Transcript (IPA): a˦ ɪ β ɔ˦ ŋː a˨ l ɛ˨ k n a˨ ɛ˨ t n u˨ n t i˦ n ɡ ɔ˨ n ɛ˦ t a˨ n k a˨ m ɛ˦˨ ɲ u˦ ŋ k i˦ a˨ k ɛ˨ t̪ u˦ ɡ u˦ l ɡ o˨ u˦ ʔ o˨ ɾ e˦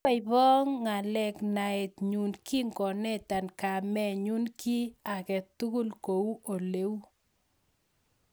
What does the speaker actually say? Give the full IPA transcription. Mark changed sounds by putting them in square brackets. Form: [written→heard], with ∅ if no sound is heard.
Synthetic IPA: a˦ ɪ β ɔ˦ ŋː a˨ l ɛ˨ k n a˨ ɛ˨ t [n→ɲ] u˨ n [t→k] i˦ [n→ŋ] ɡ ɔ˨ n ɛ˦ t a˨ n k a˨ m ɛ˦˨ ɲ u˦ [ŋ→n] k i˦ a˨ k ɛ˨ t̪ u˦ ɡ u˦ l [ɡ→k] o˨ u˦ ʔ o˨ [ɾ→l] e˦

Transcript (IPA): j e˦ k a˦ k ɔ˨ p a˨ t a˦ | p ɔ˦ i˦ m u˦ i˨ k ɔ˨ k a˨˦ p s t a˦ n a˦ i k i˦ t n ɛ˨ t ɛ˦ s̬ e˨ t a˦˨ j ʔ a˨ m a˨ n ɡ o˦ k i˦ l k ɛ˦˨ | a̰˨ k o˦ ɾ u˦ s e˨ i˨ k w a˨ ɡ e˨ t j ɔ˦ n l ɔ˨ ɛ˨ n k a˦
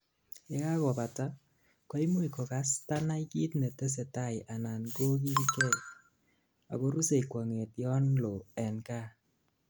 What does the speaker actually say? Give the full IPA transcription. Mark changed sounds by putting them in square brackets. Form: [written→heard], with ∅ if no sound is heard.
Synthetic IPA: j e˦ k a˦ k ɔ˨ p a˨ t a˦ | [p→k] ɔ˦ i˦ m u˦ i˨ k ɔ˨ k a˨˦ [p→∅] s t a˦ n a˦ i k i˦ t n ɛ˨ t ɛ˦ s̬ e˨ t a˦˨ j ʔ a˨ [m→n] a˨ n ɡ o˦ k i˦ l k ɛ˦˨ | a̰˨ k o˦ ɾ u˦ s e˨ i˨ k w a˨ [ɡ→ŋ] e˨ t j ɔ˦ n l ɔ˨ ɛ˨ n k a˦

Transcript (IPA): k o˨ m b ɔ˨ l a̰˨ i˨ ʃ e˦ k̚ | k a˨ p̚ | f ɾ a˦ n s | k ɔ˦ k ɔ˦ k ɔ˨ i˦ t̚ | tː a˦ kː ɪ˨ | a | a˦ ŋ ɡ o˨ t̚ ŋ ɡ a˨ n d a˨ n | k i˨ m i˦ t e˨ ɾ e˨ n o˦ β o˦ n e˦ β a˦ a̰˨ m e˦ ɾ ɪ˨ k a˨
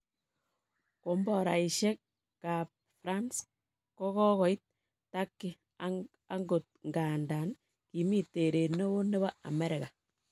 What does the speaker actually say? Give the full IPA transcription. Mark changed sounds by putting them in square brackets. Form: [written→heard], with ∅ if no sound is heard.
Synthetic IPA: k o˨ m b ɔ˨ [l→ɾ] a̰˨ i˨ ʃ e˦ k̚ | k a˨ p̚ | f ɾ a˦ n s | k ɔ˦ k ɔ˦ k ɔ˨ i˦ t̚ | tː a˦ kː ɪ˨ | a | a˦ ŋ ɡ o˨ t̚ ŋ ɡ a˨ n d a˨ n | k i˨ m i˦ t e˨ ɾ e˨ n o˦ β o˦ n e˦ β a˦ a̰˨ m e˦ ɾ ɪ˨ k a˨

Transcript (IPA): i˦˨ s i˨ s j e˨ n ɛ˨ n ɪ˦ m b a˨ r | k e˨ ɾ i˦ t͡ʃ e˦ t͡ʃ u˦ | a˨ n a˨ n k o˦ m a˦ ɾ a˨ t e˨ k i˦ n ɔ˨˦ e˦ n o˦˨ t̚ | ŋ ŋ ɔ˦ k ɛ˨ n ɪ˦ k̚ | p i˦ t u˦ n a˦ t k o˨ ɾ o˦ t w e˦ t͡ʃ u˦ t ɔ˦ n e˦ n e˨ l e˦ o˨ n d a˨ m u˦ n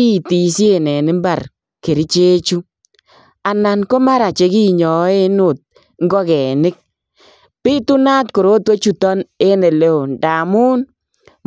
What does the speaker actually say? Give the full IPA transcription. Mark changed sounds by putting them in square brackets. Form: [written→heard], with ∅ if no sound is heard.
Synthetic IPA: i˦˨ [s→t] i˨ s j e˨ n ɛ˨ n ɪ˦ m b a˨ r | k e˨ ɾ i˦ t͡ʃ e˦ t͡ʃ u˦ | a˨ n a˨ n k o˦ m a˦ ɾ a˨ [t→t͡ʃ] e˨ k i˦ [n→ɲ] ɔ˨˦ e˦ n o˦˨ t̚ | ŋ [ŋ→ɡ] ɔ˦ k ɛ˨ n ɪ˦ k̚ | p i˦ t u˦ n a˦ t k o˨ ɾ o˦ t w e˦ t͡ʃ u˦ t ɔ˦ n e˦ n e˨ l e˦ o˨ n d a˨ m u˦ n

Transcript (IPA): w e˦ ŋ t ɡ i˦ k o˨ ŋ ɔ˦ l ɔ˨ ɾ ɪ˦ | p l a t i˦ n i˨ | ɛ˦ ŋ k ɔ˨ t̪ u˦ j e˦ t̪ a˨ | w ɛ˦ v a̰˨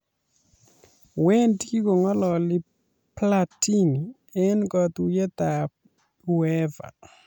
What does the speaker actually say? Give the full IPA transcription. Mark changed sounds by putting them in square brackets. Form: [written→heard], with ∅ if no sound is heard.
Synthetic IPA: w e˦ [ŋ→n] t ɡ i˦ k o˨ ŋ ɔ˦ l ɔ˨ [ɾ→l] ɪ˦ | p l a t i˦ n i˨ | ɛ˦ [ŋ→n] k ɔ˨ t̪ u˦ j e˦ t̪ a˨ | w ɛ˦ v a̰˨

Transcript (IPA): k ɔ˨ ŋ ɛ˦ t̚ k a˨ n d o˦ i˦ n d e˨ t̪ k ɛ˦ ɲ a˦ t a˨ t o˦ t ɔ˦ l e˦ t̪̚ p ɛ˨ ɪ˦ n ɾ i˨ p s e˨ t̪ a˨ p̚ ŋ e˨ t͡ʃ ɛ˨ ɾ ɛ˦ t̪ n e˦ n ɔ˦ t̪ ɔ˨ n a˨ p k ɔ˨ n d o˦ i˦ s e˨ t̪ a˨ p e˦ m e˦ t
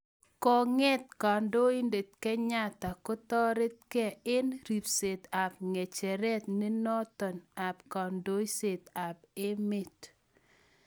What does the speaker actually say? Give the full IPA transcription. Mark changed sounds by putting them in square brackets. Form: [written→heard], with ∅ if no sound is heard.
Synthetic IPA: k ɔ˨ ŋ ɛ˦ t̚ k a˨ n d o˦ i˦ n d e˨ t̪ k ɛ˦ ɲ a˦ t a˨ [t→k] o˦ t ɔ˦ [l→ɾ] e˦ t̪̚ [p→k] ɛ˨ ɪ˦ n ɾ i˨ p s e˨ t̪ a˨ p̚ ŋ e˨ t͡ʃ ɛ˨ ɾ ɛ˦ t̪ n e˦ n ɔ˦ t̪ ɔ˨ n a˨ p k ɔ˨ n d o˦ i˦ s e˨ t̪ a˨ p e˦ m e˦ t

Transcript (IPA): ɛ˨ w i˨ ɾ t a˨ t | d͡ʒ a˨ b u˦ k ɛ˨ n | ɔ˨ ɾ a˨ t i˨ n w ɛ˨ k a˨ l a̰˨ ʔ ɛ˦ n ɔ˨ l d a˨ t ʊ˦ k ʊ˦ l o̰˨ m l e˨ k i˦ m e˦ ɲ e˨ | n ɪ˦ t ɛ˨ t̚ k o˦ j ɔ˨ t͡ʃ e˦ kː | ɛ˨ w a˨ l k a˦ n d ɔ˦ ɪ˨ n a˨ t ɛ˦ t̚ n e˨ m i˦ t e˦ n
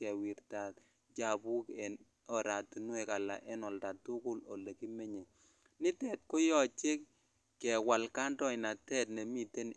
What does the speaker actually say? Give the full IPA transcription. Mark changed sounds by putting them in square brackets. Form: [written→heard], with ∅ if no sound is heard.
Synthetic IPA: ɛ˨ w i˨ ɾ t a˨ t | d͡ʒ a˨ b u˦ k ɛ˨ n | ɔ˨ ɾ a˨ t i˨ n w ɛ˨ k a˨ l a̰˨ ʔ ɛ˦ n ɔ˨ l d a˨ t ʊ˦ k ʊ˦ l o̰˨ [m→∅] l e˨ k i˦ m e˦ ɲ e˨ | n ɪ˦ t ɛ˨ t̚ k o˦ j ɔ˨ t͡ʃ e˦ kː | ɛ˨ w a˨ l k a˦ n d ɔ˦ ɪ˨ n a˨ t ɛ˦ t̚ n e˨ m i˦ t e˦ n

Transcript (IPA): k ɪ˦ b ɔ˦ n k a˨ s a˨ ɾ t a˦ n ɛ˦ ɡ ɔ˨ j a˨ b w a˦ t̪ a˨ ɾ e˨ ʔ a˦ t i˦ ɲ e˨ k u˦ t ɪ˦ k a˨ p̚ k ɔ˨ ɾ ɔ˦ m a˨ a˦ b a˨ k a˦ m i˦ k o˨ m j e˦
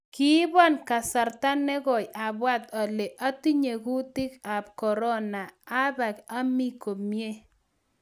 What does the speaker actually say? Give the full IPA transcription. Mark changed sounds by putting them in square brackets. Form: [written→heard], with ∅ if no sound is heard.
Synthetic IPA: k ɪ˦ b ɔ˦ n k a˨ s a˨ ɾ t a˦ n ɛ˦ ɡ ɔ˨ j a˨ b w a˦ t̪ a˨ [ɾ→l] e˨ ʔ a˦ t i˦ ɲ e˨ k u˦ t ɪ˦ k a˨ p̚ k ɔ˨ ɾ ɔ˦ [m→n] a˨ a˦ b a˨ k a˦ m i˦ k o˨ m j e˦

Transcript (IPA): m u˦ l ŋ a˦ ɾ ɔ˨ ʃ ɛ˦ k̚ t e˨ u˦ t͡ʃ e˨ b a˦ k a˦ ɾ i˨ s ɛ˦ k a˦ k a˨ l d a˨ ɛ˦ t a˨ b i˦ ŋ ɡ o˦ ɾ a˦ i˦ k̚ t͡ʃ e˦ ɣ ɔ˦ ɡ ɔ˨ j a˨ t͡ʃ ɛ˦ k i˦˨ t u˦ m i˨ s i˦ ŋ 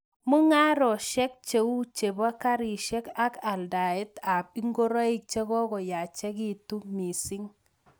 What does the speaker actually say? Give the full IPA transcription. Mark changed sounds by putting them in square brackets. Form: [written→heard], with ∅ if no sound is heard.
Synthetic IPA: m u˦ [l→∅] ŋ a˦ ɾ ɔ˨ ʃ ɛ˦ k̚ [t→t͡ʃ] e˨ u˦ t͡ʃ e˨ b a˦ k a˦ ɾ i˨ [s→ʃ] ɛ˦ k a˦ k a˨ l d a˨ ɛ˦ t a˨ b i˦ ŋ ɡ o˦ ɾ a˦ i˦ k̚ t͡ʃ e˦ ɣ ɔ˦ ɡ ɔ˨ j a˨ t͡ʃ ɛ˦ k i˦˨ t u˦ m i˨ s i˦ ŋ

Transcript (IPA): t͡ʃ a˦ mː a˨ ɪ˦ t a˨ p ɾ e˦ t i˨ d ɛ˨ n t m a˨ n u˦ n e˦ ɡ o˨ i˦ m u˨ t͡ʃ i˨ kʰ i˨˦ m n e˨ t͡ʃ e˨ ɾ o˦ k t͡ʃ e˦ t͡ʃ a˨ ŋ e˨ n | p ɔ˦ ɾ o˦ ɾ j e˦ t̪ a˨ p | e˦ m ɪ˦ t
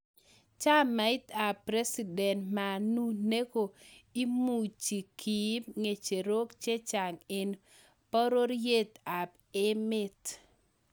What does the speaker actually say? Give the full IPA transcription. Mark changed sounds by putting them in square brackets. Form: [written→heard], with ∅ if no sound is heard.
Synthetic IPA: t͡ʃ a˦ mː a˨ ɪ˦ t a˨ p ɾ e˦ [t→s] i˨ d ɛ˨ n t m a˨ n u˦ n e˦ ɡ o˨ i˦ m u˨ t͡ʃ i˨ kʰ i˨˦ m [n→ŋ] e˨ t͡ʃ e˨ ɾ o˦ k t͡ʃ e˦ t͡ʃ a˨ ŋ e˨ n | p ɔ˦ ɾ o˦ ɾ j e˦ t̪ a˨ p | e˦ m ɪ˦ t

